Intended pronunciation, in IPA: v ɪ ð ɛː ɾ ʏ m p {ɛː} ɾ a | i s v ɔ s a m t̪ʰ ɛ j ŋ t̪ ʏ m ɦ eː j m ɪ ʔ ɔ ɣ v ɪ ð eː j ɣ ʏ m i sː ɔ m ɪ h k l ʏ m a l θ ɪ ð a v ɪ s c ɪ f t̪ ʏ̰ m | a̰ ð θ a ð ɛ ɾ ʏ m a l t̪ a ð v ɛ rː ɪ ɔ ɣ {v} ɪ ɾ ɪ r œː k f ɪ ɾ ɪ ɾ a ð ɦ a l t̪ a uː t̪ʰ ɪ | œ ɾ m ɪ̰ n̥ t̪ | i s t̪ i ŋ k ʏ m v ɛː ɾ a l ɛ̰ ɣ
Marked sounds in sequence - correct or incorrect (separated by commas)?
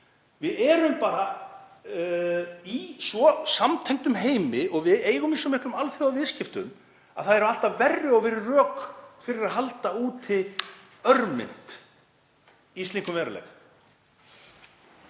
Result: incorrect, correct